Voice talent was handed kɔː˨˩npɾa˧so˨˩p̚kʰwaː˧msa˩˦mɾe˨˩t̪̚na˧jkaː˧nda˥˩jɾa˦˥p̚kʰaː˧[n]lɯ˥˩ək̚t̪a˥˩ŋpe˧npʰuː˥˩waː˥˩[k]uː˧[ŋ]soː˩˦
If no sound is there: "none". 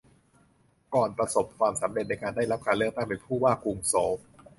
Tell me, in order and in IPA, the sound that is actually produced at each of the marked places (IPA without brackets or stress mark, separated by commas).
n, k, ŋ